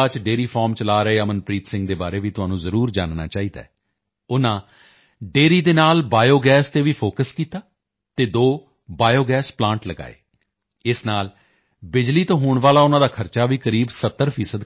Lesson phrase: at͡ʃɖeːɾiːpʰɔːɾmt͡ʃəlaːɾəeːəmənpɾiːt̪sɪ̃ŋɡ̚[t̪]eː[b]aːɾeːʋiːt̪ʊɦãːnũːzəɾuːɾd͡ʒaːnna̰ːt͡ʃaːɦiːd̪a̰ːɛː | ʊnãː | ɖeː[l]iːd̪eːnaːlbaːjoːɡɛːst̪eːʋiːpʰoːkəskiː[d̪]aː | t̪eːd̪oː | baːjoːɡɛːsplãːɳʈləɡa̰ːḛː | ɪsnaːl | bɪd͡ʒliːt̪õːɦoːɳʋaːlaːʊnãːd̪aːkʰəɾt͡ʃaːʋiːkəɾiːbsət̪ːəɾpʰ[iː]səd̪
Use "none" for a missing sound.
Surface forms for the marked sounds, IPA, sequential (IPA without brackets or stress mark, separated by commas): d̪, b, ɾ, t̪, iː